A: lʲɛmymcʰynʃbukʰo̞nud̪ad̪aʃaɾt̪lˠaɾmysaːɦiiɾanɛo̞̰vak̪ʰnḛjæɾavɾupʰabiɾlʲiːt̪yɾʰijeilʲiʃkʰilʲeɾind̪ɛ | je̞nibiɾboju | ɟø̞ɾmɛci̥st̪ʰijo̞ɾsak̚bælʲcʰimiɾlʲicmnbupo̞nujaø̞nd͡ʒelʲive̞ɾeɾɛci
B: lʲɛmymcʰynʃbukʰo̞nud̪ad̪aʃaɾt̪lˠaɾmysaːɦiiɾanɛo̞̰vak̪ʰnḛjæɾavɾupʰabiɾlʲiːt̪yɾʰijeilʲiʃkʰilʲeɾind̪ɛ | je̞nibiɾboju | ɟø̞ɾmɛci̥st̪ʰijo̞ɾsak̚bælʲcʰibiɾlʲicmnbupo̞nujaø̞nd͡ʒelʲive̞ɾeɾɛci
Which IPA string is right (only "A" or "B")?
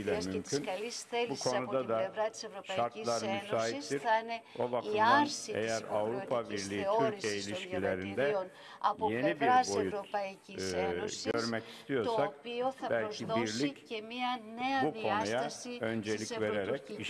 B